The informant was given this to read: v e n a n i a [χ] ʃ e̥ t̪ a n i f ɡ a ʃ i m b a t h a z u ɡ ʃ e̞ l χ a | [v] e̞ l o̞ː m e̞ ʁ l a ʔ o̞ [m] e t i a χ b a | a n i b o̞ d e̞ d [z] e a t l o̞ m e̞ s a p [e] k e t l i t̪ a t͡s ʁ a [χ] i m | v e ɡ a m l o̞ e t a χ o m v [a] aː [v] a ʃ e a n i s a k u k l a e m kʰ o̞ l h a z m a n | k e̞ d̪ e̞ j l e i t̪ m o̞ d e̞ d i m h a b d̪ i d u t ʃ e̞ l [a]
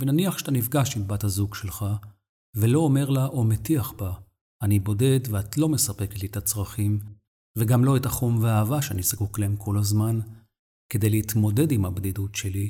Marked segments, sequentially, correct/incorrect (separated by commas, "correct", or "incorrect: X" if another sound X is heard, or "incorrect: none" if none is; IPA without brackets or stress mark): correct, correct, correct, incorrect: v, correct, correct, incorrect: e, correct, incorrect: i